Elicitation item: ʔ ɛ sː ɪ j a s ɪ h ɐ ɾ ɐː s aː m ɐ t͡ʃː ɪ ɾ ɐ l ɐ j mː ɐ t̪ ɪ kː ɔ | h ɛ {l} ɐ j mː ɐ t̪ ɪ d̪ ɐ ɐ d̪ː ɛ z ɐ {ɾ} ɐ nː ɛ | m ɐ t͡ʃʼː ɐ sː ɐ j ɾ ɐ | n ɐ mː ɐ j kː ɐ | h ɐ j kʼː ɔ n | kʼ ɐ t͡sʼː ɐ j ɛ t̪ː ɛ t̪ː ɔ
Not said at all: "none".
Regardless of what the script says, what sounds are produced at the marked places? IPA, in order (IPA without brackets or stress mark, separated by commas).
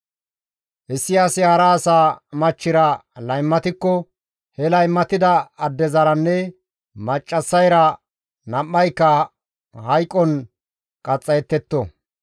l, ɾ